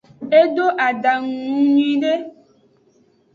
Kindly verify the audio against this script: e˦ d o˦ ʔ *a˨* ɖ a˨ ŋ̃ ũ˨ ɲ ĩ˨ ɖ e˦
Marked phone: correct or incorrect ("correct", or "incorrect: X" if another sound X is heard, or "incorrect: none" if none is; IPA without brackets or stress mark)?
correct